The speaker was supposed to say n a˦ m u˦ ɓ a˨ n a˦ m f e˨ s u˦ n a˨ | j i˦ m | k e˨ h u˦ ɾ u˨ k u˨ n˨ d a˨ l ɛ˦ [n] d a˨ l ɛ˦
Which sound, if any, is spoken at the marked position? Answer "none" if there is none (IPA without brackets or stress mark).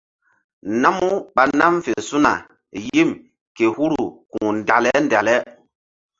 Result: n